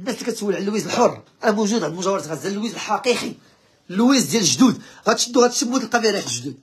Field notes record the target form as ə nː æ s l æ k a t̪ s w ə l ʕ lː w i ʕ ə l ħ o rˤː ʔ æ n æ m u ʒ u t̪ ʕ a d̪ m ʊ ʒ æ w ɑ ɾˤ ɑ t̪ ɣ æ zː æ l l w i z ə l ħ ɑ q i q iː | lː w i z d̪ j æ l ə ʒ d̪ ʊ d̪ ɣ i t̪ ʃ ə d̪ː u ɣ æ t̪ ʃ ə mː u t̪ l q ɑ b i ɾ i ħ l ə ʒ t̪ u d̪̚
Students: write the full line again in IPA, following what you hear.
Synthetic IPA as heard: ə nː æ s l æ k æ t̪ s w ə l ʕ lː w i z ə l ħ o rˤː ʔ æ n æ m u ʒ u d̪ ʕ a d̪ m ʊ ʒ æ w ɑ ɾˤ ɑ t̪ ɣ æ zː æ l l w i z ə l ħ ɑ q i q i | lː w i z d̪ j æ l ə ʒ d̪ u d̪ ɣ æ t̪ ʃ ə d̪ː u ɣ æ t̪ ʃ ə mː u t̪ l q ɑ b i ɾ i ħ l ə ʒ d̪ u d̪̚